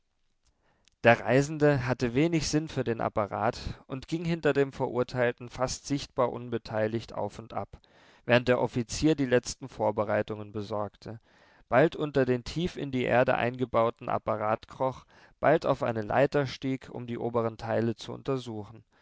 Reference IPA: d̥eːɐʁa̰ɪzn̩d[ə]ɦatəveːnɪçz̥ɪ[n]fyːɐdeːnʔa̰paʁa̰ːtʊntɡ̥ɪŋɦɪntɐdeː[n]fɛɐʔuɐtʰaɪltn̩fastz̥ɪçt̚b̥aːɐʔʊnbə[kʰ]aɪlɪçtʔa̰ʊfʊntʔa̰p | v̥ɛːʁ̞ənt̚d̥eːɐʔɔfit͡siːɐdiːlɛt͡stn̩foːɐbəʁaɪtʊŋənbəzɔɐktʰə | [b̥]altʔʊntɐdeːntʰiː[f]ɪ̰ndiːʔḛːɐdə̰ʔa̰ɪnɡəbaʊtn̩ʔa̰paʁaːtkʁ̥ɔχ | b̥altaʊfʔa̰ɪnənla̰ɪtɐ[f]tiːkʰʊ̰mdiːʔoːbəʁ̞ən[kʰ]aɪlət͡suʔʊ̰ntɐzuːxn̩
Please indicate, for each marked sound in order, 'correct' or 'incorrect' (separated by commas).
correct, correct, incorrect, incorrect, correct, correct, incorrect, incorrect